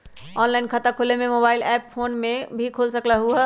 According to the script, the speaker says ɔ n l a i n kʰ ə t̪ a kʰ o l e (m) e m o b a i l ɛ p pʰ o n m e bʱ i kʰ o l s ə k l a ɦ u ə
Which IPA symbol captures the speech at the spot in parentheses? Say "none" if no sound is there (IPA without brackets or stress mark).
m